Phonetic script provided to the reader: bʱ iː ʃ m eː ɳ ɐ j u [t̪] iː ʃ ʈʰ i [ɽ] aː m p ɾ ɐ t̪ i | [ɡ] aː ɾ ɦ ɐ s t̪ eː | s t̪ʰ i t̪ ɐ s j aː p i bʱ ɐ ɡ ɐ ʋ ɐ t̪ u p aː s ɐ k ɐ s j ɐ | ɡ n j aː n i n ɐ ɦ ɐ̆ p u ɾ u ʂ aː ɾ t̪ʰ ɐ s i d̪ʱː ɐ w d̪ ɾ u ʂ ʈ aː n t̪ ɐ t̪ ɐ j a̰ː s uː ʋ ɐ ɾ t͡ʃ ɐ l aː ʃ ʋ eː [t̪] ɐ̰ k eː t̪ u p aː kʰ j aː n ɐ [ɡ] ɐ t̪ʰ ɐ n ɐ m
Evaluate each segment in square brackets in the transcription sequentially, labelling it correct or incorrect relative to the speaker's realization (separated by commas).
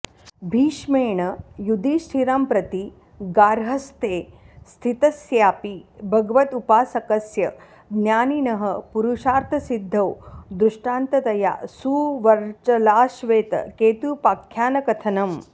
incorrect, incorrect, correct, correct, incorrect